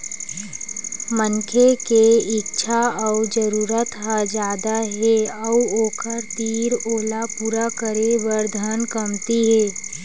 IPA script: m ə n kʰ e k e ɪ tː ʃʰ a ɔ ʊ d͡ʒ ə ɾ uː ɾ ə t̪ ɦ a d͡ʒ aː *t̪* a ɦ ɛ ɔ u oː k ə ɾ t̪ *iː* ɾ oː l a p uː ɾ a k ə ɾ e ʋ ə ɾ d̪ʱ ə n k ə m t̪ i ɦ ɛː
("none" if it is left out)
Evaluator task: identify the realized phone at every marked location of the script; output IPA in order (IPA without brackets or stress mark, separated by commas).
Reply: d̪, iː